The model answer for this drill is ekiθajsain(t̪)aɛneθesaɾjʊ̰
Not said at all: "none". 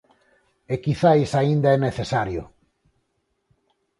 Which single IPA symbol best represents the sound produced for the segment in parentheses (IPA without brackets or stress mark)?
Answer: d̪